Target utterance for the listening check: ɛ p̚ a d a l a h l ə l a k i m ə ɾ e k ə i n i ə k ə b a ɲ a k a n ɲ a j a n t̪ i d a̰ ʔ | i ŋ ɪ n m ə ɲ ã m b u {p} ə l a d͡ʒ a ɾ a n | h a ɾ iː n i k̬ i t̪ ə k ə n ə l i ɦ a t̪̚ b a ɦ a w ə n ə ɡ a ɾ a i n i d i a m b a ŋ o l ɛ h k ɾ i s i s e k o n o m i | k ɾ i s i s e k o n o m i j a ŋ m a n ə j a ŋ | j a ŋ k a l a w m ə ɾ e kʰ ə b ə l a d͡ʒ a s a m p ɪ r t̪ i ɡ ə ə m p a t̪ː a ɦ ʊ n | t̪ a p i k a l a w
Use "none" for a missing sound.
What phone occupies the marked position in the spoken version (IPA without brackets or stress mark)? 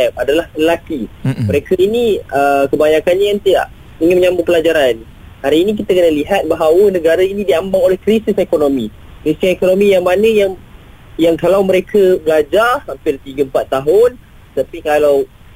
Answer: p